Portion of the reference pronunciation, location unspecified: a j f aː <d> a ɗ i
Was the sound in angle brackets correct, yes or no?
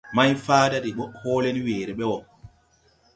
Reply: yes